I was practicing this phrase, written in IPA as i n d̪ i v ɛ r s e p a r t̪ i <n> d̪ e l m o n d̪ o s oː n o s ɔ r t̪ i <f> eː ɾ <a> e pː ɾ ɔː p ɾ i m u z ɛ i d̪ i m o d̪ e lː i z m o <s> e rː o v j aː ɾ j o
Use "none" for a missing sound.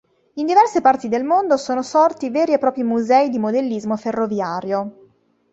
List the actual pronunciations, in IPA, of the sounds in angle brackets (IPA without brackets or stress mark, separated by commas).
none, v, i, f